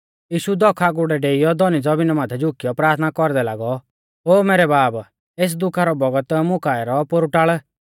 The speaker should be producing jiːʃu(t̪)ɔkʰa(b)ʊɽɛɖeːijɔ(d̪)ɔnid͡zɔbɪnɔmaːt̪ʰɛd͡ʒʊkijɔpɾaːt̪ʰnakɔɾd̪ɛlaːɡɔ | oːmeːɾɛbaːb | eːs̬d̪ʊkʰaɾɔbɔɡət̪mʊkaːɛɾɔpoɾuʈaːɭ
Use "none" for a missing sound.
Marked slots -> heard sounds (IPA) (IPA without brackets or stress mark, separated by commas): d̪, ɡ, d̪